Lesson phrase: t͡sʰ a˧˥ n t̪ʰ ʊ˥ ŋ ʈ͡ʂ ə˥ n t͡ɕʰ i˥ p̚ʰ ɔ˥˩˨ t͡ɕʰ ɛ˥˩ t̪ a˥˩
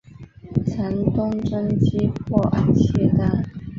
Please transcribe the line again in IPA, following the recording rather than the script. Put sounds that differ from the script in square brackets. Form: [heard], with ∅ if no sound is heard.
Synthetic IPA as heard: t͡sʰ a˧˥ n [t̪] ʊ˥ ŋ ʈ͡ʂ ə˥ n [t͡ɕ] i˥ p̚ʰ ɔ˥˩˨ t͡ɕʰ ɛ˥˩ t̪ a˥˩